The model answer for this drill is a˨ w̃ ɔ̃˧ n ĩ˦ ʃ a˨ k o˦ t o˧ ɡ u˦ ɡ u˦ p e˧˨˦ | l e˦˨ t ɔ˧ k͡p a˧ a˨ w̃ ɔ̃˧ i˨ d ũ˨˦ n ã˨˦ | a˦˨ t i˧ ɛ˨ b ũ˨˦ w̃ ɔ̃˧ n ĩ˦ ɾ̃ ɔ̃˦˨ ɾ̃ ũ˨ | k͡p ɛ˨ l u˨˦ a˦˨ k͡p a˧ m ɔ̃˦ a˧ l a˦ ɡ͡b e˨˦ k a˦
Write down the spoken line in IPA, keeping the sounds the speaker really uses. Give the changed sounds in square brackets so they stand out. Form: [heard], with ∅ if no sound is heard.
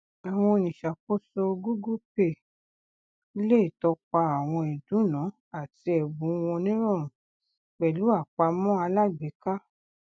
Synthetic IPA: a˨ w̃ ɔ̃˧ n [ĩ˨] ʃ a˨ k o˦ [s] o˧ ɡ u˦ ɡ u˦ p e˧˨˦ | l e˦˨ t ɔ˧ k͡p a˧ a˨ w̃ ɔ̃˧ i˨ d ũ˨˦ n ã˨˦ | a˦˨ t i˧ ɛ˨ b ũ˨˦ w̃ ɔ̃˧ n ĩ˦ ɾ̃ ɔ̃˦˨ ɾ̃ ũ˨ | k͡p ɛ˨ l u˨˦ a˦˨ k͡p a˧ m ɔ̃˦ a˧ l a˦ ɡ͡b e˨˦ k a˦